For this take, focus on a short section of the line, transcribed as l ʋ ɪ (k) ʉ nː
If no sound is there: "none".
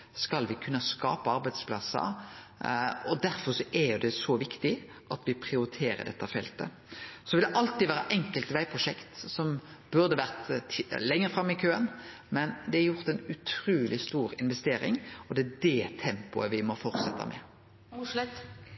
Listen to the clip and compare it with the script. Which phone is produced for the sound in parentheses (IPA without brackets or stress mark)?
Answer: kʰ